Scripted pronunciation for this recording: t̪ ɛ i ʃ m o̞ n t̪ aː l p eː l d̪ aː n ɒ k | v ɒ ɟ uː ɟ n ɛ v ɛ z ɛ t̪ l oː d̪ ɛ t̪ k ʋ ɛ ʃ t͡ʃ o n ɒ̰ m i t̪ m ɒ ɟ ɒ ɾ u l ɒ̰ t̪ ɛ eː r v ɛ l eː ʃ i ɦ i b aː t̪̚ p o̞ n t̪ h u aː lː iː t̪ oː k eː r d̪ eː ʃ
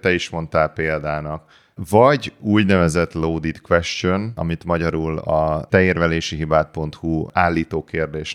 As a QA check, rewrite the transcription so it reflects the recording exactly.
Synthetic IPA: t̪ ɛ i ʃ m o̞ n t̪ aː l p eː l d̪ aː n ɒ k | v ɒ ɟ uː ɟ n ɛ v ɛ z ɛ t̪ l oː d̪ i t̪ k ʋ ɛ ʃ t͡ʃ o n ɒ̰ m i t̪ m ɒ ɟ ɒ ɾ u l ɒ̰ t̪ ɛ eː r v ɛ l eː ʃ i ɦ i b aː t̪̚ p o̞ n t̪ h u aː lː iː t̪ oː k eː r d̪ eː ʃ